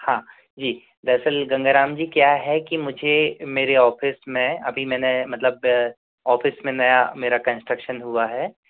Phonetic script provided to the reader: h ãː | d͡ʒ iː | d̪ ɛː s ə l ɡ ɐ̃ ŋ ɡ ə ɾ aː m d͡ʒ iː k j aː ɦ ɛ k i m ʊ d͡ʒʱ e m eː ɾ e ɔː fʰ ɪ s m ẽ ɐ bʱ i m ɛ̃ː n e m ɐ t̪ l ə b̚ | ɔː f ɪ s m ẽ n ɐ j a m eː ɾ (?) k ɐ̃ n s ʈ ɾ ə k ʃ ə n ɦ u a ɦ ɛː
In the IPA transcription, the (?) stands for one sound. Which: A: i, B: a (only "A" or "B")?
B